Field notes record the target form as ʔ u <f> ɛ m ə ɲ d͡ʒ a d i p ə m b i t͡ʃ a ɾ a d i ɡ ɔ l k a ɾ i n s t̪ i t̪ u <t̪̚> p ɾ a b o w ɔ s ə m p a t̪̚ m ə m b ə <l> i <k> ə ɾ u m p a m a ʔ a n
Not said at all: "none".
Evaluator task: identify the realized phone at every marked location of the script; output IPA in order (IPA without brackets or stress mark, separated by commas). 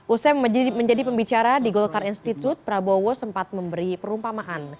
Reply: s, t̪̚, ɾ, p